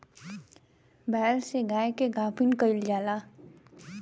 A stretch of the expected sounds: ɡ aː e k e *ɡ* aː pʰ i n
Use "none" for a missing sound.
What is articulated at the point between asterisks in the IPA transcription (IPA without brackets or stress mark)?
ɡ